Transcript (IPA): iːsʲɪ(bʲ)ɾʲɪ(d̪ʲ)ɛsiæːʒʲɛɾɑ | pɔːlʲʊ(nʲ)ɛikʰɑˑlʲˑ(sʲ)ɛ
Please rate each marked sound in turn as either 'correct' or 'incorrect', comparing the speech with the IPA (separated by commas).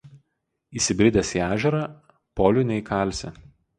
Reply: correct, correct, correct, correct